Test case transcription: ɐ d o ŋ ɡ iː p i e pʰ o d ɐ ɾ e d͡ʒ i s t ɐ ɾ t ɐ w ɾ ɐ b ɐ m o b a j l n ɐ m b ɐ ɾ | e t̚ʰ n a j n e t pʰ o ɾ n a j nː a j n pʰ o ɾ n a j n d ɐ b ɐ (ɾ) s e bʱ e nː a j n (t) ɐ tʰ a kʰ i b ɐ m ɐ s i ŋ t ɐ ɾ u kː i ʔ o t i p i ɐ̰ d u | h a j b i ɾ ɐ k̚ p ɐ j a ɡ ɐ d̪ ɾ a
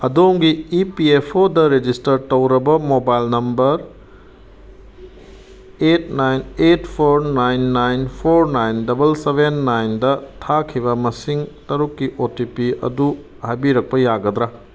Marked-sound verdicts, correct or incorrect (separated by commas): incorrect, incorrect